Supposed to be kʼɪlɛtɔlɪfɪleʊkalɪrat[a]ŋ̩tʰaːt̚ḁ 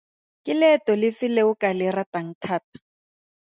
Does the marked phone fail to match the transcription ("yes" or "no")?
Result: no